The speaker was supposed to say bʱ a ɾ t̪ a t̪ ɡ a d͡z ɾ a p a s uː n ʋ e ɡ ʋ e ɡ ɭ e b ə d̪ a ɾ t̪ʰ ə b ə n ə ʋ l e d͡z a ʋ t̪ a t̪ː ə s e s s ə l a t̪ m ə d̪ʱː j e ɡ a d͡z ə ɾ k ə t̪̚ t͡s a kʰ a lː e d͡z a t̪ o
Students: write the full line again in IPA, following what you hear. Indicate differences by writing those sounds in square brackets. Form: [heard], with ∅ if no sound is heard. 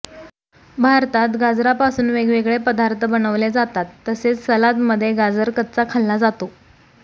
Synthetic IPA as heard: bʱ a ɾ t̪ a t̪ ɡ a d͡z ɾ a p a s uː n ʋ e ɡ ʋ e ɡ ɭ e [p] ə d̪ a ɾ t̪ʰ ə b ə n ə ʋ l e d͡z a [∅] t̪ a t̪ː ə s e [t͡s] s ə l a t̪ m ə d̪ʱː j e ɡ a d͡z ə ɾ k ə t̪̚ t͡s a kʰ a lː [a] d͡z a t̪ o